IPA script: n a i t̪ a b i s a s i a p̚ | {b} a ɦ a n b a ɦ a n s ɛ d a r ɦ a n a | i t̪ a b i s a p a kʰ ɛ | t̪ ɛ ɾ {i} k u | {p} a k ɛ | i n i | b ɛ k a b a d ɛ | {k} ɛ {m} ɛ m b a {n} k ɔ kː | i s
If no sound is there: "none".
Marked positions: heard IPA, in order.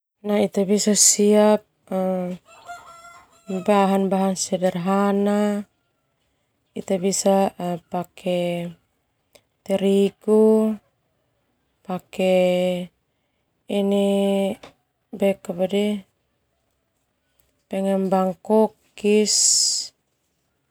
b, i, p, p, ŋ, ŋ

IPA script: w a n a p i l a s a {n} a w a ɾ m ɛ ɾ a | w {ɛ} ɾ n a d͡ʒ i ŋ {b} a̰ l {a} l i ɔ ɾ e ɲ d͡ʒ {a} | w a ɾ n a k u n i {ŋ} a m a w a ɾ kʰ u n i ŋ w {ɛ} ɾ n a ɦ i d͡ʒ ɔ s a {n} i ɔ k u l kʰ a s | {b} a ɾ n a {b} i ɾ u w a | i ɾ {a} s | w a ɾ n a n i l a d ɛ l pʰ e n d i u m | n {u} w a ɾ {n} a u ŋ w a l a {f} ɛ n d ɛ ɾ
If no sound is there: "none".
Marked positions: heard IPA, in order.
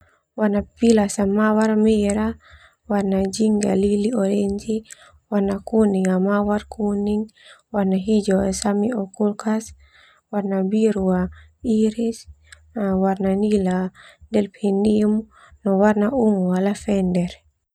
m, a, ɡ, i, i, ŋ, a, m, w, b, i, ɔ, n, f

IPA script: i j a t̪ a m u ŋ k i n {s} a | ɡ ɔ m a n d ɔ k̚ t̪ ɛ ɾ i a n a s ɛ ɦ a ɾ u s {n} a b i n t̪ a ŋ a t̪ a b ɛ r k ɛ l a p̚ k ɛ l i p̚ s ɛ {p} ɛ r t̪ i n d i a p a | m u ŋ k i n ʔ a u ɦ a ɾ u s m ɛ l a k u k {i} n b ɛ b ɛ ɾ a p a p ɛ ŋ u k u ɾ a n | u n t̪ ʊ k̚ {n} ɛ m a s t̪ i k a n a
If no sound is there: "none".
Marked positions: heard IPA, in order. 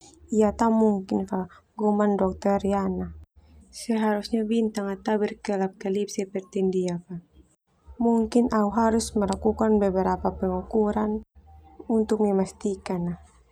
f, ɲ, p, a, m

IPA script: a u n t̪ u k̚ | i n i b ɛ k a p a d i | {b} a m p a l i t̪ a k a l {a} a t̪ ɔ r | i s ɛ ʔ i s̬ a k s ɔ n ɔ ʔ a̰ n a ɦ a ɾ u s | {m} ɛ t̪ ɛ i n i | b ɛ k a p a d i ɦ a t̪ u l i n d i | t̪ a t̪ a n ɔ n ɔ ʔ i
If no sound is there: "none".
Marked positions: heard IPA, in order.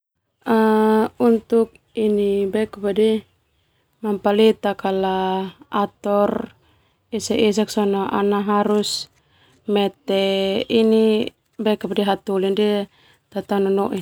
m, a, m

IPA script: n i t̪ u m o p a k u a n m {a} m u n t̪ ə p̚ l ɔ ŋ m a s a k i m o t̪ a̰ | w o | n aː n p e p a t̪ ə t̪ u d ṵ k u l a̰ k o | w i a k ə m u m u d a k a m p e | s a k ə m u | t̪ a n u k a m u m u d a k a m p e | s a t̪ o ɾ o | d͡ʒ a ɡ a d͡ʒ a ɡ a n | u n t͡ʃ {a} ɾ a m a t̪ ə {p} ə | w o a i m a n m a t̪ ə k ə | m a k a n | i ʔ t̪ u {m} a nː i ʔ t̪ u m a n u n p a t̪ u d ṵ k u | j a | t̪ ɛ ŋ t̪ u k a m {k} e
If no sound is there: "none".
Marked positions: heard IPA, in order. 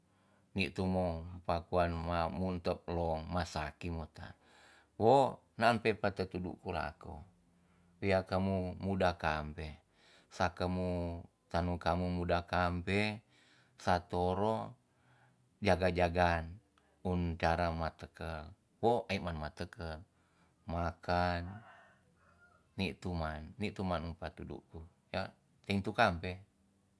a, a, k, m, p

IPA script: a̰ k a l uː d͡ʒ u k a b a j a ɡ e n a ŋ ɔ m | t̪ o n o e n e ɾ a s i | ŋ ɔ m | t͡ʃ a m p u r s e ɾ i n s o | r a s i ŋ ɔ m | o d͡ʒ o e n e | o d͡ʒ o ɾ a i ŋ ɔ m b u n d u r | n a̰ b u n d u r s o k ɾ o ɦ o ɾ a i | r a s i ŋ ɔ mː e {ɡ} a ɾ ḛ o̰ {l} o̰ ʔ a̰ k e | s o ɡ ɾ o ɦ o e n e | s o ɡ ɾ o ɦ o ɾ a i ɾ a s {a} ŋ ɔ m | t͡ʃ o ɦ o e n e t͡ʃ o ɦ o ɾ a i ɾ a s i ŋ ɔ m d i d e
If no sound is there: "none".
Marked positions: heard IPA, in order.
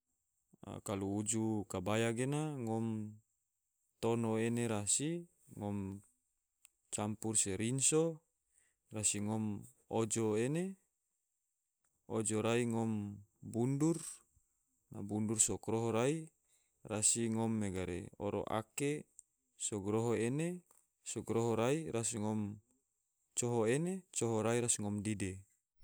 ɡ, ɾ, i

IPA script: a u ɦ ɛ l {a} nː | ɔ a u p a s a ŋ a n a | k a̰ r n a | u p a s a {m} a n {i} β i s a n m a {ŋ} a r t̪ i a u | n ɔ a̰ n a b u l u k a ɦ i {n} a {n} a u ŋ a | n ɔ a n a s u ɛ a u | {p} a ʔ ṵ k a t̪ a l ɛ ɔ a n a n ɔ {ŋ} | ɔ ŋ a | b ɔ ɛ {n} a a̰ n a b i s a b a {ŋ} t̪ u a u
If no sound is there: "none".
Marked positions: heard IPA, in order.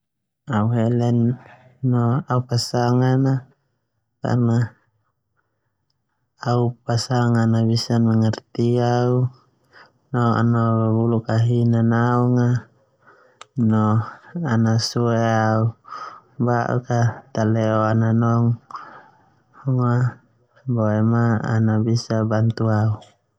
ɛ, ŋ, a, ŋ, n, n, b, ŋ, m, n

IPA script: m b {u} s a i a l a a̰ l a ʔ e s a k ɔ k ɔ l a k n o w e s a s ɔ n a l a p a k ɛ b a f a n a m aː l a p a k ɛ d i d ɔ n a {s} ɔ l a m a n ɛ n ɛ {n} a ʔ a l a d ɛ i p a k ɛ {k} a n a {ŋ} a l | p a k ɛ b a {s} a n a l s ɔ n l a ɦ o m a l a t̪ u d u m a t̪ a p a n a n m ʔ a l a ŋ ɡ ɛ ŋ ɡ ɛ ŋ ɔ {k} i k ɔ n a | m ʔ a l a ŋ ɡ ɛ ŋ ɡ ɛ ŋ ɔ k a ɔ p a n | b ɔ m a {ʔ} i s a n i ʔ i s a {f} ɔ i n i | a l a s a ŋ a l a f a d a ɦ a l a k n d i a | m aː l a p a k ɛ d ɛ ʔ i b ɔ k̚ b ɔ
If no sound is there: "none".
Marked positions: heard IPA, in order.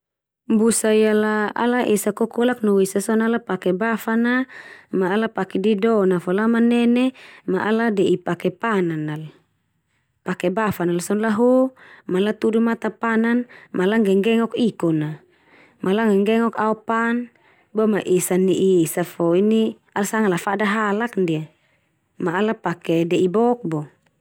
u, f, m, p, n, f, k, ʔ, f

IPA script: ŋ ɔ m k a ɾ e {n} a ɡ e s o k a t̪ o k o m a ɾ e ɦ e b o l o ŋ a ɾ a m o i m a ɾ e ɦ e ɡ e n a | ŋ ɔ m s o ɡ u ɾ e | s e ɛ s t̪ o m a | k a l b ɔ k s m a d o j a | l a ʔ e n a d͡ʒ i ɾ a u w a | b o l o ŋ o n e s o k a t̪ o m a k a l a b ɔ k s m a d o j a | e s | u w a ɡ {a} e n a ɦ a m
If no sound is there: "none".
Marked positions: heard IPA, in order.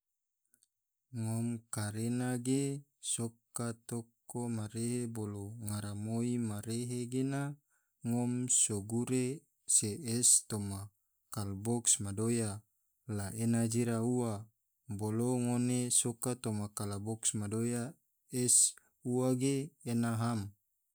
n, e

